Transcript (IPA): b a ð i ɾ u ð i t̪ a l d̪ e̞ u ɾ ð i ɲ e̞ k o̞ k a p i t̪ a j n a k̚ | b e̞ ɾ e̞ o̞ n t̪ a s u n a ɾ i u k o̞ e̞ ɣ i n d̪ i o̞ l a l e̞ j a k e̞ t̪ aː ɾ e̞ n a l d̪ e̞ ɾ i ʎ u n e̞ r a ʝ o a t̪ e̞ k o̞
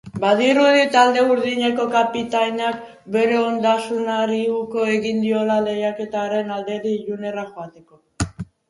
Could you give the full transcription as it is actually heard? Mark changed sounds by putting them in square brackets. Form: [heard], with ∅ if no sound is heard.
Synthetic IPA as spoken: b a ð i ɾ u ð i t̪ a l d̪ e̞ u ɾ ð i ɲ e̞ k o̞ k a p i t̪ a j n a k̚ | b e̞ ɾ e̞ o̞ n [d̪] a s u n a ɾ i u k o̞ e̞ ɣ i n d̪ i o̞ l a l e̞ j a k e̞ t̪ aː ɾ e̞ n a l d̪ e̞ ɾ i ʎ u n e̞ r a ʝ o a t̪ e̞ k o̞